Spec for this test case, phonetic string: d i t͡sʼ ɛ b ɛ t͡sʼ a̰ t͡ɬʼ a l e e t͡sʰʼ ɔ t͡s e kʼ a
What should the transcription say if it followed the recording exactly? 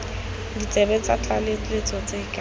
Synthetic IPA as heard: d i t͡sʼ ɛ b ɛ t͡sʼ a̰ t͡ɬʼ a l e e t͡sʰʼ ɔ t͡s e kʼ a